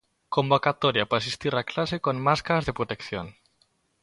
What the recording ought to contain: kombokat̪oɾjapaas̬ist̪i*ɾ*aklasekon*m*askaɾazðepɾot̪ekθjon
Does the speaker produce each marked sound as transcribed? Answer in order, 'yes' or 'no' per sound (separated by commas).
yes, yes